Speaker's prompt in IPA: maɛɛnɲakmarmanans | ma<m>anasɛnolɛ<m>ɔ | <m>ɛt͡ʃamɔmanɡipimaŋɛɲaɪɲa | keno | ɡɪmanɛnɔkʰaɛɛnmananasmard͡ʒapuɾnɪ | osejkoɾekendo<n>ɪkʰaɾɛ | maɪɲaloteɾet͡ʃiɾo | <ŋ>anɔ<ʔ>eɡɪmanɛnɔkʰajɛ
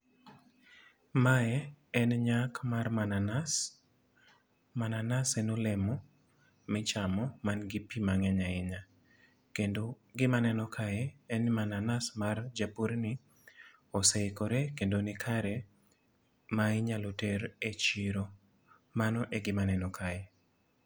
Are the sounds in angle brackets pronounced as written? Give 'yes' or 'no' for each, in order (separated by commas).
no, yes, yes, yes, no, yes